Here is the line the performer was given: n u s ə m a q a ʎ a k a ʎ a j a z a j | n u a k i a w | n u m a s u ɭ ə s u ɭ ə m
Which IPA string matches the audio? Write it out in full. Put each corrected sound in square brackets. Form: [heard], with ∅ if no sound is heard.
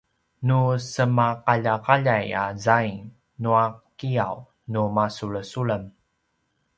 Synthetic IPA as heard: n u s ə m a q a ʎ a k a ʎ a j a z a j | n u a k i a w | n u m a s u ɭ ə s u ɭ ə m